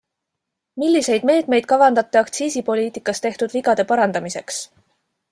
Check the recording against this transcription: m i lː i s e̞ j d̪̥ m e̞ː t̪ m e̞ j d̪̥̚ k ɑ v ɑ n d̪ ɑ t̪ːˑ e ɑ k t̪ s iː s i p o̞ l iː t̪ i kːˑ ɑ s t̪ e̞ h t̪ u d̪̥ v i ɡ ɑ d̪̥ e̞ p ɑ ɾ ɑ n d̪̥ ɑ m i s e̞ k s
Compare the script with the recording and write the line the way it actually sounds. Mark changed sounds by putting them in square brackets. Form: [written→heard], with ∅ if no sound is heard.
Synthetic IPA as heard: m i lː i s e̞ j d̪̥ m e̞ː t̪ m e̞ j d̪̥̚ k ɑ v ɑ n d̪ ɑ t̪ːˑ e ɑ k t̪ s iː s i p o̞ l iː t̪ i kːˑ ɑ s t̪ e̞ h t̪ u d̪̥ v i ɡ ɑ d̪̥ e̞ p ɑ ɾ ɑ n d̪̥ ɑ m i s e̞ k s